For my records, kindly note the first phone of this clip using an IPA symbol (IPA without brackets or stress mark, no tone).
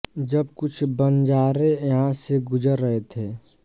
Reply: d͡ʒ